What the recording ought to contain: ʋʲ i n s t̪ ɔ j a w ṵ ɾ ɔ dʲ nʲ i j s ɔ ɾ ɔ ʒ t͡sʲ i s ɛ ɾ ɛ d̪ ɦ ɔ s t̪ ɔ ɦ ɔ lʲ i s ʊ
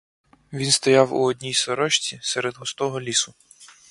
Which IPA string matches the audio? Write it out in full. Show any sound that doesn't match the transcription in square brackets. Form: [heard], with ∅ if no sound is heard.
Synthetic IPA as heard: ʋʲ i n s t̪ ɔ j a w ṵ [∅] ɔ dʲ nʲ i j s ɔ ɾ ɔ [ʃ] t͡sʲ i s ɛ ɾ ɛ d̪ ɦ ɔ s t̪ ɔ ɦ ɔ lʲ i s ʊ